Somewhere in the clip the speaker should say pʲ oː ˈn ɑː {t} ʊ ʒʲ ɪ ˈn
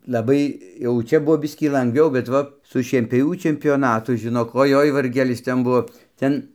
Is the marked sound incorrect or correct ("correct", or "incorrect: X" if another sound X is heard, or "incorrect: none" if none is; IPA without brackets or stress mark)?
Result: correct